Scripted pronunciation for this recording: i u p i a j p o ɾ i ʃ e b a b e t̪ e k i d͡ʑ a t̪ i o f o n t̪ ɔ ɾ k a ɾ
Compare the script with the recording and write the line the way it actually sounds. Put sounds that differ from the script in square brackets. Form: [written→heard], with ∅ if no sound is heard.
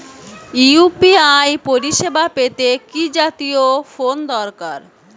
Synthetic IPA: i u p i a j p o ɾ i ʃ e b a [b→p] e t̪ e k i d͡ʑ a t̪ i o f o n [t̪→d̪] ɔ ɾ k a ɾ